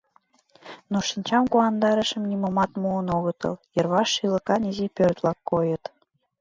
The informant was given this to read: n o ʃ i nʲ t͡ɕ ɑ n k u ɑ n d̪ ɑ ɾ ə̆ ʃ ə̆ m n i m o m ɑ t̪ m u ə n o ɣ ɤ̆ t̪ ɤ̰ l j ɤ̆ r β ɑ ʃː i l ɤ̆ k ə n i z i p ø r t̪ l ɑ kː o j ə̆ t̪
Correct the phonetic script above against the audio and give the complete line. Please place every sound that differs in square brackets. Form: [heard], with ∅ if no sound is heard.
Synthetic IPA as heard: n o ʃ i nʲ t͡ɕ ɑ [m] k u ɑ n d̪ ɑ ɾ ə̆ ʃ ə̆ m n i m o m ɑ t̪ m u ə n o ɣ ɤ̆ t̪ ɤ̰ l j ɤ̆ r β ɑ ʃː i l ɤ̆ k [ɑ] n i z i p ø r t̪ l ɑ kː o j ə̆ t̪